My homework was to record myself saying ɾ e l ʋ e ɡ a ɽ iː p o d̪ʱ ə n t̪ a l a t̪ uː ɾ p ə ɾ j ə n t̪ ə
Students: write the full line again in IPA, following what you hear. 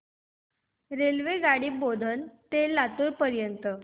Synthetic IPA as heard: ɾ e l ʋ e ɡ a ɽ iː b o d̪ʱ ə n t̪ e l a t̪ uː ɾ p ə ɾ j ə n t̪ ə